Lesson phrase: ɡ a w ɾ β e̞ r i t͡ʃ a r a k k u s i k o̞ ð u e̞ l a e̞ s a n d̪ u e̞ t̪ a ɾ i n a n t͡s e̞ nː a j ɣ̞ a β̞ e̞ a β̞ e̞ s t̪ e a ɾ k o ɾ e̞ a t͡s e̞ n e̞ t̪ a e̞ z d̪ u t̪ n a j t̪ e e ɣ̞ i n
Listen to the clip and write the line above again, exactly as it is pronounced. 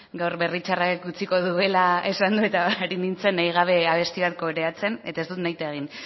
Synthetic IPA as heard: ɡ a w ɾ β e̞ r i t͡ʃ a r a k k u t͡s i k o̞ ð u e̞ l a e̞ s a n d̪ u e̞ t̪ a ɾ i n i n t͡s e̞ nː a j ɣ̞ a β̞ e̞ a β̞ e̞ s t̪ i a ɾ k o ɾ e̞ a t͡s e̞ n e̞ t̪ a e̞ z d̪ u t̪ n a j t̪ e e ɣ̞ i n

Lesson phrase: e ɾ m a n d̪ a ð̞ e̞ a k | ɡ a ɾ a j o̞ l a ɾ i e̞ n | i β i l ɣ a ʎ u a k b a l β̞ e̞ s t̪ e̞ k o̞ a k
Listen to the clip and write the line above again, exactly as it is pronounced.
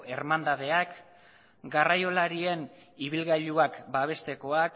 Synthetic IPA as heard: e ɾ m a n d̪ a ð̞ e̞ a k | ɡ a r a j o̞ l a ɾ i e̞ n | i β i l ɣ a ʎ u a k b a β̞ e̞ s t̪ e̞ k o̞ a k

